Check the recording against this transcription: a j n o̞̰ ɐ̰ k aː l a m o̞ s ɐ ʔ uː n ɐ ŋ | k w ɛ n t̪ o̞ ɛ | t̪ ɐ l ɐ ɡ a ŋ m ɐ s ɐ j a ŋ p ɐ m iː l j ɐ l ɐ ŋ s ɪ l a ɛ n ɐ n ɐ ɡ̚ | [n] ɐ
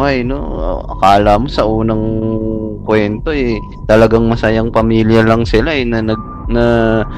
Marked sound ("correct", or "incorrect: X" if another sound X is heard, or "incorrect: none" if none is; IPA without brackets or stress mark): correct